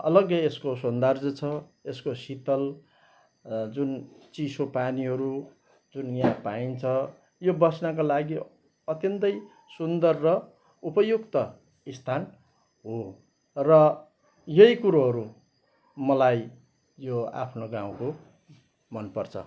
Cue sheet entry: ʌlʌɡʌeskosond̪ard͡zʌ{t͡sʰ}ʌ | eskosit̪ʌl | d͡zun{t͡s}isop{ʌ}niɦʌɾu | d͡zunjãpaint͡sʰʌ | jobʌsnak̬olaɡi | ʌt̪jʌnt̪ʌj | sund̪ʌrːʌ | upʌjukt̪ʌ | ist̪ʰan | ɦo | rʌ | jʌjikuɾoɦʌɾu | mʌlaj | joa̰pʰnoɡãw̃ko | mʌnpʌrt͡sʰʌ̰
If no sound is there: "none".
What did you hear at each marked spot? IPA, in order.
t͡sʰ, t͡s, a

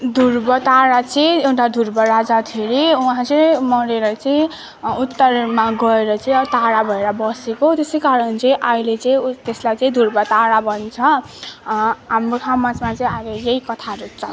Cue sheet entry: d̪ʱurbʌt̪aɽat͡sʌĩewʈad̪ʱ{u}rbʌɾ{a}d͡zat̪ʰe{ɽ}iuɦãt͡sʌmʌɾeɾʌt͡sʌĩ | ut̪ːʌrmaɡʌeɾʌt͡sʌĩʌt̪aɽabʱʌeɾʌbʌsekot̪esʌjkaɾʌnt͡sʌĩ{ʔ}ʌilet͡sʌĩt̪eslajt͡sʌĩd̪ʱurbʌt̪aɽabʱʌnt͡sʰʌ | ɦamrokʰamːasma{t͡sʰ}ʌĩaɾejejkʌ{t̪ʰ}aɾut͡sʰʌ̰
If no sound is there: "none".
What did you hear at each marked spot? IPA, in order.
u, a, ɾ, ʔ, t͡s, t̪ʰ

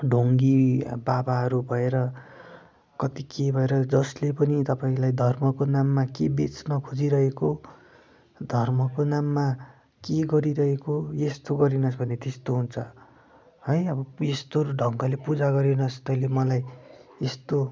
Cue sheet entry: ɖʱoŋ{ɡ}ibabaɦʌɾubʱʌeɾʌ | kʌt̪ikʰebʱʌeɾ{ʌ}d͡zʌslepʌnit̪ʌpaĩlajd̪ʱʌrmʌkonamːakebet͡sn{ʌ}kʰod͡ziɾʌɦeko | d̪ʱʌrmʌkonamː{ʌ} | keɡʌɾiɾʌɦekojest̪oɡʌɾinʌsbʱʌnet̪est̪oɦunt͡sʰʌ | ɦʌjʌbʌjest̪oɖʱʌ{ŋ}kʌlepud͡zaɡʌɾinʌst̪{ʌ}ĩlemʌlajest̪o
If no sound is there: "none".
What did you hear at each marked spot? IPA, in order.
ɡ, ʌ, ʌ, a, ŋ, ʌ

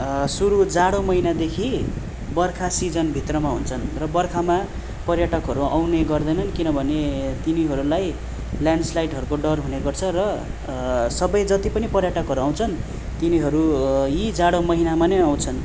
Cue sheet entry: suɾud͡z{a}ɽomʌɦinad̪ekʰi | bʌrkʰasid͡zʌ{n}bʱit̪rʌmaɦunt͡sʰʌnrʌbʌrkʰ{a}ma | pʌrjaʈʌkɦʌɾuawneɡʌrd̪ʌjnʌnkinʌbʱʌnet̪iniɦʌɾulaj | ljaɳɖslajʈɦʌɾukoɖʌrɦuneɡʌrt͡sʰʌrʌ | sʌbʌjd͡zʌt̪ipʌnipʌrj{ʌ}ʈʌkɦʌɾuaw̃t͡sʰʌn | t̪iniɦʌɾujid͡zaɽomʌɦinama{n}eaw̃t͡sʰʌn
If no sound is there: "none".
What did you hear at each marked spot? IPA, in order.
a, n, a, a, n

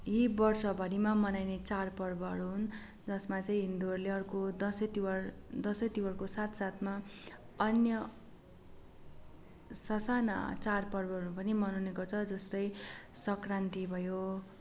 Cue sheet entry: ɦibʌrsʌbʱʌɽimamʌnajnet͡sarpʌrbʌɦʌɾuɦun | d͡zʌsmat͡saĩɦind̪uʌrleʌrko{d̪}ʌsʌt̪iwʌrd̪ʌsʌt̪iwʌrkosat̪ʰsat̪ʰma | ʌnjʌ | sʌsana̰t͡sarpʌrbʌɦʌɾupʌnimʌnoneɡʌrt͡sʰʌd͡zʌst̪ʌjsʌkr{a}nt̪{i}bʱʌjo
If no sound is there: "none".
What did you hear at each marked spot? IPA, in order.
d̪, a, i

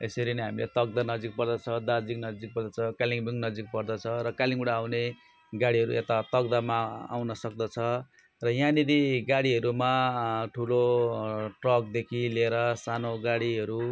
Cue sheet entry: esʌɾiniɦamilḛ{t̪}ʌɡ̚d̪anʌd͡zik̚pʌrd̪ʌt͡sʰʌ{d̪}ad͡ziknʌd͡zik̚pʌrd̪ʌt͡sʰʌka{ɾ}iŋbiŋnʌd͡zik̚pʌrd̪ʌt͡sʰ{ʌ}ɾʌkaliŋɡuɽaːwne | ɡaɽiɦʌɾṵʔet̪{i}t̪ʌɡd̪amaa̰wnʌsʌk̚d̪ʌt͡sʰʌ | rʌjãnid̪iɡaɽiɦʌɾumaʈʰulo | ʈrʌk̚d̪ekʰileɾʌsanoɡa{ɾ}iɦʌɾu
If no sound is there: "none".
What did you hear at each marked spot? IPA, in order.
t̪, d̪, l, ʌ, a, ɽ

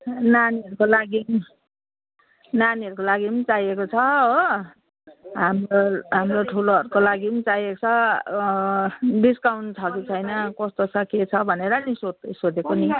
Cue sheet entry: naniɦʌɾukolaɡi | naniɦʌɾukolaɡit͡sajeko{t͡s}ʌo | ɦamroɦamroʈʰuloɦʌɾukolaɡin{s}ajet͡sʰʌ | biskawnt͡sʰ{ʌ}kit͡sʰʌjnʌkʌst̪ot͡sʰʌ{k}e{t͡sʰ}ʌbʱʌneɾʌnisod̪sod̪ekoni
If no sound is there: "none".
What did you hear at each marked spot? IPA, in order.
t͡sʰ, t͡s, ʌ, k, t͡sʰ

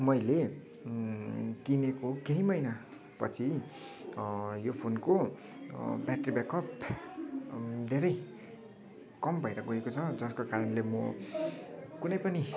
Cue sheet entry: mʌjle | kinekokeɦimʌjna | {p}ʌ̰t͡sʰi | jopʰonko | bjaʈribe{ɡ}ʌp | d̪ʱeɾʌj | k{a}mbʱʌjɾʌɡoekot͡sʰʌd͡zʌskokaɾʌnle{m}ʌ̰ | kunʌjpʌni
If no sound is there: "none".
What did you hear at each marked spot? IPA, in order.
p, k, ʌ, m

